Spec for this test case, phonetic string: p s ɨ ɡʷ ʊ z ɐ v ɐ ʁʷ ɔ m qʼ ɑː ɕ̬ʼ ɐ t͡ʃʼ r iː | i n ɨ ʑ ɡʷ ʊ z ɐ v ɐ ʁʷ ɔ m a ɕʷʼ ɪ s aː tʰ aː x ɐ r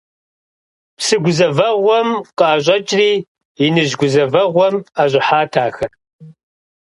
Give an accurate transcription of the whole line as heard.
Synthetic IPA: p s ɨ ɡʷ ʊ z ɐ v ɐ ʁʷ ɔ m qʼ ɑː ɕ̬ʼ ɐ t͡ʃʼ r iː | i n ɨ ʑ ɡʷ ʊ z ɐ v ɐ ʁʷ ɔ m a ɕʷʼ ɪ ħ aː tʰ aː x ɐ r